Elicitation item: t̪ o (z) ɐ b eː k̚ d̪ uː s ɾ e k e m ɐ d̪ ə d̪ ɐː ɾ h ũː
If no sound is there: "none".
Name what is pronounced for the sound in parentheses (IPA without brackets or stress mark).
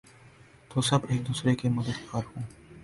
s